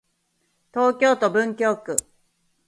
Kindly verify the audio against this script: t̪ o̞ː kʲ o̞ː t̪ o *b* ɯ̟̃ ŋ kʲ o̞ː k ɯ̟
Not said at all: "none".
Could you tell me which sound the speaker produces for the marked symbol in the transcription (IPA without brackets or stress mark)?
b